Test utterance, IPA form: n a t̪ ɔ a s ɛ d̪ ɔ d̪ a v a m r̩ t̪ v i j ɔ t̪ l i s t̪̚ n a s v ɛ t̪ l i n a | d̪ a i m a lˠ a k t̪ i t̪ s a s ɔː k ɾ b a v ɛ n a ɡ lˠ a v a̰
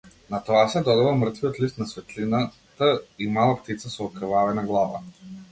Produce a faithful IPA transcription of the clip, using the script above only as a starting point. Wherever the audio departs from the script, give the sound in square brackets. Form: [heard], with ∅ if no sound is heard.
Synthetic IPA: n a t̪ ɔ a s ɛ d̪ ɔ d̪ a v a m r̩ t̪ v i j ɔ t̪ l i s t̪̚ n a s v ɛ t̪ l i n a | [t̪] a i m a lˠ a [p] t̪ i t̪ s a s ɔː k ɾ [v] a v ɛ n a ɡ lˠ a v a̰